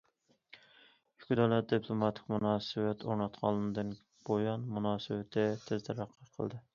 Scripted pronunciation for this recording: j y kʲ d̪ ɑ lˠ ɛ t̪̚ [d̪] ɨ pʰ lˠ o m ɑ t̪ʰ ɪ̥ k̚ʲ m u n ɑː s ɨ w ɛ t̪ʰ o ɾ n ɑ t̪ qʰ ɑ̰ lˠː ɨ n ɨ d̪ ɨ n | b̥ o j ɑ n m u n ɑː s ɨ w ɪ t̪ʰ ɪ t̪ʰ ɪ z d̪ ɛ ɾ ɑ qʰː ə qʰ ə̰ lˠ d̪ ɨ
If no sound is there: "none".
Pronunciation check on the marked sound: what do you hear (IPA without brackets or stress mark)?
d̪